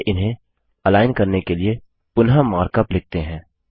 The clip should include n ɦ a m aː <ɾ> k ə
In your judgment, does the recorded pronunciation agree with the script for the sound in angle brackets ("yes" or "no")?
yes